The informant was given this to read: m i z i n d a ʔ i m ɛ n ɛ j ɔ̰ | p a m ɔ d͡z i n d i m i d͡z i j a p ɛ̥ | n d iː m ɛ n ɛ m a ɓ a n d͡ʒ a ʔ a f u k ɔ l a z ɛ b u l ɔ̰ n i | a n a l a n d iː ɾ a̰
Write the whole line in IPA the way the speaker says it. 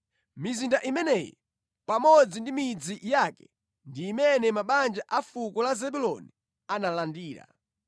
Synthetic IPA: m i z i n d a ʔ i m ɛ n ɛ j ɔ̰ | p a m ɔ d͡z i n d i m i d͡z i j a k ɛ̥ | n d iː m ɛ n ɛ m a ɓ a n d͡ʒ a ʔ a f u k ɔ l a z ɛ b u l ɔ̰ n i | a n a l a n d iː ɾ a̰